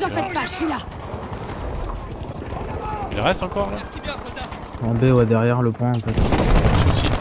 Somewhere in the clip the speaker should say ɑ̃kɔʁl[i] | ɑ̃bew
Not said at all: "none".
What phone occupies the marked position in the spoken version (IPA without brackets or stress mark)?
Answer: a